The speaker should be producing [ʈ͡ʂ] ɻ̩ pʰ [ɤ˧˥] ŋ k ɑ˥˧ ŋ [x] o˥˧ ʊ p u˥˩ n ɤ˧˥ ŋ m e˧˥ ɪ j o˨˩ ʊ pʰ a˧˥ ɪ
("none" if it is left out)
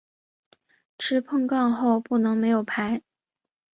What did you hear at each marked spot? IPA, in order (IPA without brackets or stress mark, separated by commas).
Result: ʈ͡ʂʰ, ɤ˥˧, x